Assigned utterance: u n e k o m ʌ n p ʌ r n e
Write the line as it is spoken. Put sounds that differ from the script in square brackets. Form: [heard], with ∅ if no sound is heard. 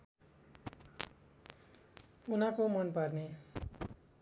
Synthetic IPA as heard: u n [a] k o m ʌ n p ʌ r n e